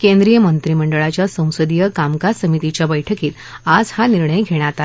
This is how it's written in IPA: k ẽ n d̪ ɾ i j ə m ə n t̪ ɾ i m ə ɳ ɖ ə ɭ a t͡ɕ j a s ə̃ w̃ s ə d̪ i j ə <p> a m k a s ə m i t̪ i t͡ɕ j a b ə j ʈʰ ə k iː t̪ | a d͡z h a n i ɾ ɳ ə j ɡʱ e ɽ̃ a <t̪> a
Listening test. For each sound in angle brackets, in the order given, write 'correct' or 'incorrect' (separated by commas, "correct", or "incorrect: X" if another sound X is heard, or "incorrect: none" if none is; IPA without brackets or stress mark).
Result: incorrect: k, correct